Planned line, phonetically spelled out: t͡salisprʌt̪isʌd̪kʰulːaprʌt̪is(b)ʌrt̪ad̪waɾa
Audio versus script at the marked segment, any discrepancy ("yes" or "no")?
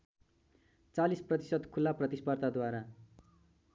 yes